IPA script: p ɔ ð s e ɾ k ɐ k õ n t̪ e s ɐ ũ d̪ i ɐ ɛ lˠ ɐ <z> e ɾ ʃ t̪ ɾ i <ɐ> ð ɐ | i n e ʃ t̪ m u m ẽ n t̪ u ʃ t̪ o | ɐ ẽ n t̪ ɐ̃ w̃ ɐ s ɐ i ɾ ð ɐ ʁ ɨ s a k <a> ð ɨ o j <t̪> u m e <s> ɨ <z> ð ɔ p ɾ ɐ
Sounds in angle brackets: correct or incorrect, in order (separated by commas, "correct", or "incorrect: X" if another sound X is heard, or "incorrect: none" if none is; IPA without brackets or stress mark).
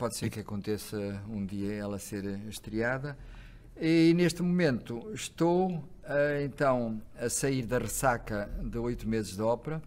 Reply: incorrect: s, incorrect: a, incorrect: ɐ, correct, incorrect: z, incorrect: ʒ